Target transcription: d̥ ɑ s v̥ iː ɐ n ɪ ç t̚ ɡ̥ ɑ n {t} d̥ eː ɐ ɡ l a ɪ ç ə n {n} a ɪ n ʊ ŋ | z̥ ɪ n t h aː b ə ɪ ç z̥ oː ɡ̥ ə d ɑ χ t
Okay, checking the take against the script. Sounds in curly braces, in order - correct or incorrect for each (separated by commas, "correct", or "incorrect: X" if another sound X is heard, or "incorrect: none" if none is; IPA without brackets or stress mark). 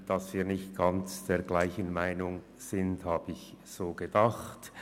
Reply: incorrect: t͡s, incorrect: m